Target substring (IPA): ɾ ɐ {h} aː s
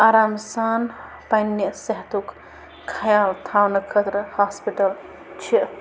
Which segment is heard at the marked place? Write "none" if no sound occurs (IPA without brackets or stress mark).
h